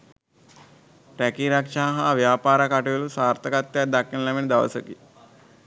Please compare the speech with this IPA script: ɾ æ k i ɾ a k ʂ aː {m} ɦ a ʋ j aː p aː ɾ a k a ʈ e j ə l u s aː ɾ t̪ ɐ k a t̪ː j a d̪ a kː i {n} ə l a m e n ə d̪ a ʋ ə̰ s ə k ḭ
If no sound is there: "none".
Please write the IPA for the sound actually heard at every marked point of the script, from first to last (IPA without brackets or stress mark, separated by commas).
none, n